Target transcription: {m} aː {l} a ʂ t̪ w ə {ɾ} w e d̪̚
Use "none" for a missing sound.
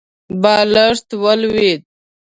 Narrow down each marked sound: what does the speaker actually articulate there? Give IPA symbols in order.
b, l, l

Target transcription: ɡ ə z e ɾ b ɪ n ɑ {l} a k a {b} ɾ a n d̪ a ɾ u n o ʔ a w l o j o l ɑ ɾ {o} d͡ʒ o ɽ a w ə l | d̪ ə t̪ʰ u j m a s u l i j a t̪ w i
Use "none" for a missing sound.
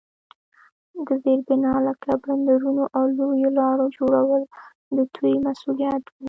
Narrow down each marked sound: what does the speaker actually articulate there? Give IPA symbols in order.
l, b, o

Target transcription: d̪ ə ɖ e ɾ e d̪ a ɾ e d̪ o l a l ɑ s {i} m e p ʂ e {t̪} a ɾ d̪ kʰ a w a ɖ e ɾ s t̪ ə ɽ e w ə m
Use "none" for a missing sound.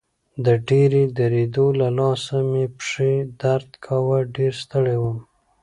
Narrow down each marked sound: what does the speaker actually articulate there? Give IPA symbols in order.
a, d̪

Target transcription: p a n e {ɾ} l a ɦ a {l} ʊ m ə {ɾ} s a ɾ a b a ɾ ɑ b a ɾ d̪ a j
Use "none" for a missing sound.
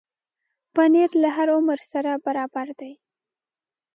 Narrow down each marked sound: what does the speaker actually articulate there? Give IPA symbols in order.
ɾ, ɾ, ɾ

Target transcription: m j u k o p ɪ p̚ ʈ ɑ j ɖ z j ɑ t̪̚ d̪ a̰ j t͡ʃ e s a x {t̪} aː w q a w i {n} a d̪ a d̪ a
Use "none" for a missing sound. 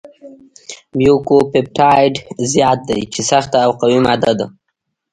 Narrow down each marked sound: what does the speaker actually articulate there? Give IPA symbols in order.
t̪, m

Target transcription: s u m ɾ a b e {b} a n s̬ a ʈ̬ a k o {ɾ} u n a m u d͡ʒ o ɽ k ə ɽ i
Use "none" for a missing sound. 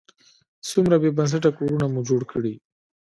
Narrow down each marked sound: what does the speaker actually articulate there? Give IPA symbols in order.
b, ɾ

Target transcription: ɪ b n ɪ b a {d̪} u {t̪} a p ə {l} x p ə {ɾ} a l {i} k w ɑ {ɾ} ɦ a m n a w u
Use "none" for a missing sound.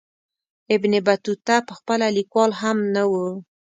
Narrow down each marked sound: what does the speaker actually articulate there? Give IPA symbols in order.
t̪, t̪, none, l, i, l

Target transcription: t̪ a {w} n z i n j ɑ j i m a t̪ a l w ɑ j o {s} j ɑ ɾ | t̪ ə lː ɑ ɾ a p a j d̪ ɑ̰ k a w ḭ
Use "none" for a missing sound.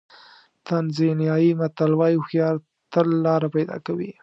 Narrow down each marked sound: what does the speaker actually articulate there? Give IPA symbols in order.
none, x

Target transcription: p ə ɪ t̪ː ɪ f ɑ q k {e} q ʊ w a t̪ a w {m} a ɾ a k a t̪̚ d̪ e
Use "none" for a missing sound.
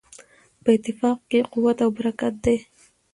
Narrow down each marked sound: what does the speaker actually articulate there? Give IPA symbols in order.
e, b

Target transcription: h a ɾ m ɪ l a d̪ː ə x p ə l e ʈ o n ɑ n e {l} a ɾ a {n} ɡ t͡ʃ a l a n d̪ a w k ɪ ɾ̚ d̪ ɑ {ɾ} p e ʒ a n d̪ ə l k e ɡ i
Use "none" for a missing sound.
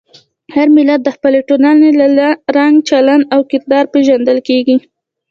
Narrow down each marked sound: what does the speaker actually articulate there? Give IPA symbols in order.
l, ŋ, ɾ

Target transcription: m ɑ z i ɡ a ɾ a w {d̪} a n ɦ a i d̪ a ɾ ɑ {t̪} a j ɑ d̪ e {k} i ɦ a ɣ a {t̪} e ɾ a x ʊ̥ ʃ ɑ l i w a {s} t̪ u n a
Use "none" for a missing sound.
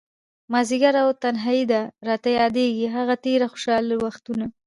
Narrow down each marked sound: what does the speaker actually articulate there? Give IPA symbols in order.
t̪, t̪, ɡ, t̪, x

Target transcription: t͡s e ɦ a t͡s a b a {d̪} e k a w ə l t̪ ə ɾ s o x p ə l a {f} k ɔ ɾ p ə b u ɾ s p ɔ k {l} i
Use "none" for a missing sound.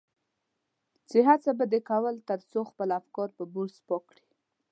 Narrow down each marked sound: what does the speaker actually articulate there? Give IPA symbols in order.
d̪, f, ɽ

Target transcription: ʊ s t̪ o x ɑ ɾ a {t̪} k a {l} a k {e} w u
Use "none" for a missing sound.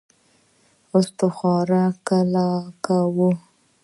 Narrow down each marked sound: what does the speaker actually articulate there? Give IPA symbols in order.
none, l, a

